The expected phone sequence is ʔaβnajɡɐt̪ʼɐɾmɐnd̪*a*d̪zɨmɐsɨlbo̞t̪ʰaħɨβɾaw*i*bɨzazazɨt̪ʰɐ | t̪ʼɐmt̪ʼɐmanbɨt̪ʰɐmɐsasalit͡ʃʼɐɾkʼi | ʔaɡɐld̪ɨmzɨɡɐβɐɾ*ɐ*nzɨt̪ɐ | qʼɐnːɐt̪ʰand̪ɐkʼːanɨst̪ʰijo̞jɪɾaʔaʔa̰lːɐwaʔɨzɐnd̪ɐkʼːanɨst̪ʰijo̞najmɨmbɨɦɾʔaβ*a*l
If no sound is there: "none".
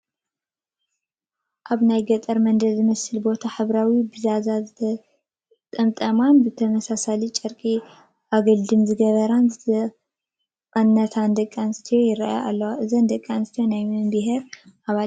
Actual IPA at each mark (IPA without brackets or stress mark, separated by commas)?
ɐ, i, a, a